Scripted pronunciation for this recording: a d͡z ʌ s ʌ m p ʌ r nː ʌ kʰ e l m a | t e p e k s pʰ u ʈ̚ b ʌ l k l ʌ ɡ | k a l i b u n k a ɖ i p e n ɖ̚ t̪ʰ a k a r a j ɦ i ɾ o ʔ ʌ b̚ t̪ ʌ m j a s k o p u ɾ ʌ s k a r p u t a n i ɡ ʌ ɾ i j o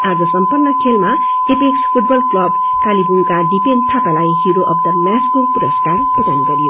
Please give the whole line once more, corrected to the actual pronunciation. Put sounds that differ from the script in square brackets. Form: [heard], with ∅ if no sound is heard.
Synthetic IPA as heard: a d͡z ʌ s ʌ m p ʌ r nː ʌ kʰ e l m a | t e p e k s pʰ u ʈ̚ b ʌ l k l ʌ [b] | k a l i b u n k a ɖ i p e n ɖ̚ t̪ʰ a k a [l] a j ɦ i ɾ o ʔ ʌ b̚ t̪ ʌ m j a s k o p u ɾ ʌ s k a r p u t a n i ɡ ʌ ɾ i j o